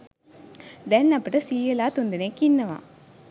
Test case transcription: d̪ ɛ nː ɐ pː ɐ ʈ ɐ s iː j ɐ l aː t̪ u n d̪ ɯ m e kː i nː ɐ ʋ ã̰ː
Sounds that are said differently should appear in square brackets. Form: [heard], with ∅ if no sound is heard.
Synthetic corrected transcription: d̪ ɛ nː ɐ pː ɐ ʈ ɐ s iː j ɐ l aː t̪ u n d̪ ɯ [n] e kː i nː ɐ ʋ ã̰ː